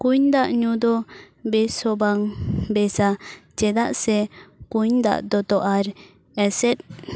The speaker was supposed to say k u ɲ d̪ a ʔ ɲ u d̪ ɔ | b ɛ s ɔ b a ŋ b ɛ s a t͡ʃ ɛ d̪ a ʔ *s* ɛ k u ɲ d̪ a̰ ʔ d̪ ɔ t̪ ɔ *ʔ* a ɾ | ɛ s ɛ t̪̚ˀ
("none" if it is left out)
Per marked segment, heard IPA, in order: s, ʔ

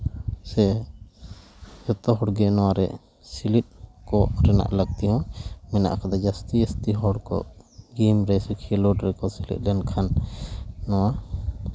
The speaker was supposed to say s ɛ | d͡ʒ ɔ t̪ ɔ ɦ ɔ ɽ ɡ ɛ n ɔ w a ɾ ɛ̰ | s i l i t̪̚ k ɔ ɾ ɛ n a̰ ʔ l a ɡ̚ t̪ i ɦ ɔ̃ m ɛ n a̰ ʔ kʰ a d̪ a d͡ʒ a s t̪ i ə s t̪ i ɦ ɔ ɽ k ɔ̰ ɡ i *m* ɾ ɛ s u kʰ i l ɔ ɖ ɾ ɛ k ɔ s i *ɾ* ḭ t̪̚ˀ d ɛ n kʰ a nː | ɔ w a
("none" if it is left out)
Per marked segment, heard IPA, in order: m, l

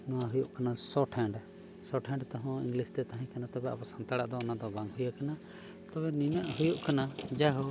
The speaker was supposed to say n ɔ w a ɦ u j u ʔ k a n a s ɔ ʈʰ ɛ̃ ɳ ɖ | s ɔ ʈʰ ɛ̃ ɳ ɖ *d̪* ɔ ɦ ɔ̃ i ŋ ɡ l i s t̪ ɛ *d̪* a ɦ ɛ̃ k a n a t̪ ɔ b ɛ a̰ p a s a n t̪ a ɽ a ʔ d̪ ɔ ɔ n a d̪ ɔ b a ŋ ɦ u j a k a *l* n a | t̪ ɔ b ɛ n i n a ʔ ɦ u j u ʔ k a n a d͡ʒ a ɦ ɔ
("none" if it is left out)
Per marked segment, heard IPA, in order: t̪, t̪, none

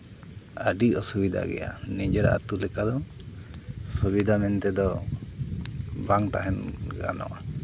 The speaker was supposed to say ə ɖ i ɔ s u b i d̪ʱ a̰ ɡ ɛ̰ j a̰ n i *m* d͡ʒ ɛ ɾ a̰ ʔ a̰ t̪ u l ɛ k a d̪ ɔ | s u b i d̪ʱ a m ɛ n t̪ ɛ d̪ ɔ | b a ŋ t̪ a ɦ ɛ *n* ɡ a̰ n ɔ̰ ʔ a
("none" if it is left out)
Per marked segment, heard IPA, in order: none, n

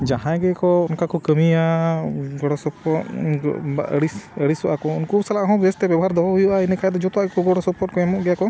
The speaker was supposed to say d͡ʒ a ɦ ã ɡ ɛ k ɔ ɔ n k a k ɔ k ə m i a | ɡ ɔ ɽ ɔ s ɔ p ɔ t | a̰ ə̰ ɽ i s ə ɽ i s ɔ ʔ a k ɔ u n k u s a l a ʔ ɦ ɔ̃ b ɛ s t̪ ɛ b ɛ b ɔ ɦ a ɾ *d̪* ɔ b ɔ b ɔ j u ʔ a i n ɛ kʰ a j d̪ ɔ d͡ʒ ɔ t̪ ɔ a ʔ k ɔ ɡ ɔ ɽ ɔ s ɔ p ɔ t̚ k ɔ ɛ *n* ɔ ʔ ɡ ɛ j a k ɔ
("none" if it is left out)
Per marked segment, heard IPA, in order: d̪, m

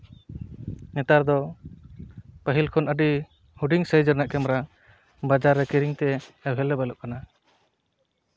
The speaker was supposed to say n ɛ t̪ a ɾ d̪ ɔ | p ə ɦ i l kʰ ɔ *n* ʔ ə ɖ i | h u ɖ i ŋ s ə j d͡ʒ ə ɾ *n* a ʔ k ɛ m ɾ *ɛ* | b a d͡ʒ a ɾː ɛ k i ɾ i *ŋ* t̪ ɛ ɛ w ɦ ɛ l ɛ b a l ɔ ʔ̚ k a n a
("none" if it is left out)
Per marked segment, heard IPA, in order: n, n, a, ŋ

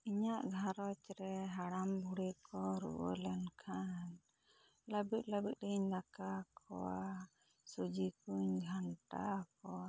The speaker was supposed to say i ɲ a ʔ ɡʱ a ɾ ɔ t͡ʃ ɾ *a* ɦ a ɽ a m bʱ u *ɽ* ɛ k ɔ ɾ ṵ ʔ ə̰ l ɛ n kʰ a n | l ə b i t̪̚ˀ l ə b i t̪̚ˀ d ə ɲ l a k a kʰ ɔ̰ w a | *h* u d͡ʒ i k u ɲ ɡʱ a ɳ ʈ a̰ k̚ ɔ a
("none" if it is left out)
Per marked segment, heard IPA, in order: ɛ, ɽ, s

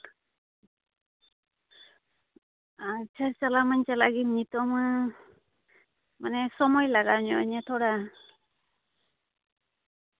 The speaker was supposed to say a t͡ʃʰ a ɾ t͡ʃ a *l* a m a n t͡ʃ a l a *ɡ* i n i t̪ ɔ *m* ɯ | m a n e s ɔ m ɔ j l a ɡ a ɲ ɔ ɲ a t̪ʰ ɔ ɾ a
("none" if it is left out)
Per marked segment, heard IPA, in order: l, ɡ, m

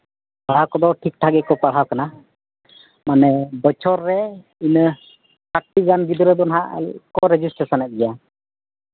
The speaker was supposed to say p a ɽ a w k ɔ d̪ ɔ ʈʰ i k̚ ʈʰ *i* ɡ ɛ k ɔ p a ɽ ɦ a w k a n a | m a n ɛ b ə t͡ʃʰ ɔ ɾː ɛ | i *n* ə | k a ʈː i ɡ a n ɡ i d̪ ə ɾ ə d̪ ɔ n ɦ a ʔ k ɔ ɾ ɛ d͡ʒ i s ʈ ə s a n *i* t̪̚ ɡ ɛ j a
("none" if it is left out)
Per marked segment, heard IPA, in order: a, n, ɛ

